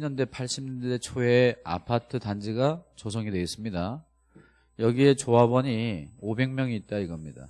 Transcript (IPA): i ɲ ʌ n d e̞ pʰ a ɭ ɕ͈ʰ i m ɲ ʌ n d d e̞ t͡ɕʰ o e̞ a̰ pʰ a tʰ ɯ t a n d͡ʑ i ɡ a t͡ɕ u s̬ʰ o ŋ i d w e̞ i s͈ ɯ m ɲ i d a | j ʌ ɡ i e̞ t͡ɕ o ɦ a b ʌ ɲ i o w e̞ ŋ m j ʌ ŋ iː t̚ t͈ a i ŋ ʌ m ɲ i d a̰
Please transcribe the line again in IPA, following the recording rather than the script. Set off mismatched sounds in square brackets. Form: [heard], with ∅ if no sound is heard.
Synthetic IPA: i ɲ ʌ n d e̞ pʰ a ɭ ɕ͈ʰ i m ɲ ʌ n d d e̞ t͡ɕʰ o e̞ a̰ pʰ a tʰ ɯ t a n d͡ʑ i ɡ a t͡ɕ [o] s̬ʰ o ŋ i d w e̞ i s͈ ɯ m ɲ i d a | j ʌ ɡ i e̞ t͡ɕ o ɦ a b ʌ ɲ i o [b] e̞ ŋ m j ʌ ŋ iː t̚ t͈ a i [ɡ] ʌ m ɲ i d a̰

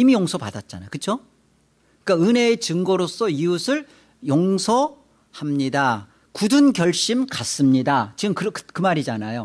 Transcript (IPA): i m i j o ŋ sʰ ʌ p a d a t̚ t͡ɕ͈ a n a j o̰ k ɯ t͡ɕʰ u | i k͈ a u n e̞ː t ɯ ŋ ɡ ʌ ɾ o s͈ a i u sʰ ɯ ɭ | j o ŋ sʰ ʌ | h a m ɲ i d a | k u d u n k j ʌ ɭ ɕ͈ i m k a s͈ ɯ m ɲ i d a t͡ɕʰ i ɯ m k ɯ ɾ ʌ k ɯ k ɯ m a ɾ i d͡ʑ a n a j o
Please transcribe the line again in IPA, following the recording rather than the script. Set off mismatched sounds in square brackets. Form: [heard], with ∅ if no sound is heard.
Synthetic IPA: i m i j o ŋ sʰ ʌ p a d a t̚ t͡ɕ͈ a n a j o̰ k ɯ t͡ɕʰ [o] | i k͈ a [ɯ] n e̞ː [t͡ɕ] ɯ ŋ ɡ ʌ ɾ o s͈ [ʌ] i u sʰ ɯ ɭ | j o ŋ sʰ ʌ | h a m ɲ i d a | k u d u n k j ʌ ɭ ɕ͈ i m k a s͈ ɯ m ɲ i d a [t͡ɕ] i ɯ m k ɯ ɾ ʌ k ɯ k ɯ m a ɾ i d͡ʑ a n a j o

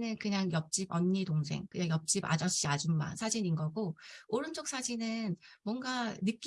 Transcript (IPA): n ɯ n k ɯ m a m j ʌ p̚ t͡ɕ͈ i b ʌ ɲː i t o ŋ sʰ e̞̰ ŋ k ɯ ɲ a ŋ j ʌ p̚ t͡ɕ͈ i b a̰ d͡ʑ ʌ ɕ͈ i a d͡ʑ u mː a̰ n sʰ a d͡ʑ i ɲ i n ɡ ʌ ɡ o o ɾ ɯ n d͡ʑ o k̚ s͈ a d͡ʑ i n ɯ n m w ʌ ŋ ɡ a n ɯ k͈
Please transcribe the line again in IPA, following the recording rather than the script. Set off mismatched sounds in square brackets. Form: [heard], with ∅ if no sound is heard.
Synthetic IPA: n ɯ n k ɯ [ɲ] a [ŋ] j ʌ p̚ t͡ɕ͈ i b ʌ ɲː i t o ŋ sʰ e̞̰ ŋ k ɯ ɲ a ŋ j ʌ p̚ t͡ɕ͈ i b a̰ d͡ʑ ʌ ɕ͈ i a d͡ʑ u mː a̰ n sʰ a d͡ʑ i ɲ i n ɡ ʌ ɡ o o ɾ ɯ n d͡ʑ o k̚ s͈ a d͡ʑ i n ɯ n m w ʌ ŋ ɡ a n ɯ k͈

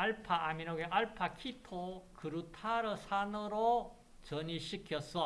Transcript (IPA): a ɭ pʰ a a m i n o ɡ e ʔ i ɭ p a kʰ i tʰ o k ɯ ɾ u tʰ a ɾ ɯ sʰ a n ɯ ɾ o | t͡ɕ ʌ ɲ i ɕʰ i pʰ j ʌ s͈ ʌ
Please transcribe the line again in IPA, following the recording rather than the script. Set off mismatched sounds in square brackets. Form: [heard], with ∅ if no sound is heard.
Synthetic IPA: a ɭ pʰ a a m i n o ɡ e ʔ [a] ɭ [pʰ] a kʰ i tʰ o k ɯ ɾ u tʰ a ɾ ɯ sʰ a n ɯ ɾ o | t͡ɕ ʌ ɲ i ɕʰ i [kʰ] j ʌ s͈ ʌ

